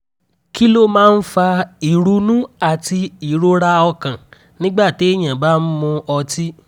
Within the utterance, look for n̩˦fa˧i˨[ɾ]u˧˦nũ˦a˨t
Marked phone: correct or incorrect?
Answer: correct